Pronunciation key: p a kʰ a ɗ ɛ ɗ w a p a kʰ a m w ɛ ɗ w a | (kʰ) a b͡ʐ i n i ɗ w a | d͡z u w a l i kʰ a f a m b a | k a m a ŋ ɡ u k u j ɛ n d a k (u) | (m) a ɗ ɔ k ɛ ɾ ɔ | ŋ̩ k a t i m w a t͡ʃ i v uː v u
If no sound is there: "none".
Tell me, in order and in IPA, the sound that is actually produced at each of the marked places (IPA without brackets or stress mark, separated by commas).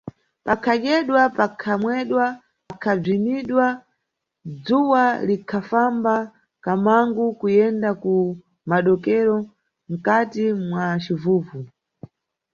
kʰ, u, m